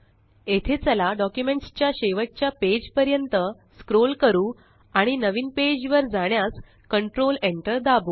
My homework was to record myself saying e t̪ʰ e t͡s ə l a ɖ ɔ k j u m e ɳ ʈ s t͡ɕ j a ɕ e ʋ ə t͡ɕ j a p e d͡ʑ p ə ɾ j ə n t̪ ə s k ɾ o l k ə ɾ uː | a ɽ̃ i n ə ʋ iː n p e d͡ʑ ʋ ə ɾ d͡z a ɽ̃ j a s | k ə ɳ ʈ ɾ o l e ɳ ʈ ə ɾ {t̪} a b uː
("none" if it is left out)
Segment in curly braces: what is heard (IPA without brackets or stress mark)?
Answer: d̪